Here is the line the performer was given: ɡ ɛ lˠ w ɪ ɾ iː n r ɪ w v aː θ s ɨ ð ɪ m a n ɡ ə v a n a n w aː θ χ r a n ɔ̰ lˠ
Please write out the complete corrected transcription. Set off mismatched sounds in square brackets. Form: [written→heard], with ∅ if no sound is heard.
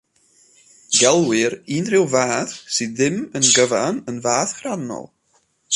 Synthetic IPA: ɡ ɛ lˠ w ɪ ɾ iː n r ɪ w v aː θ s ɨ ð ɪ m [a→ə] n ɡ ə v a n [a→ə] n [w→v] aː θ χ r a n ɔ̰ lˠ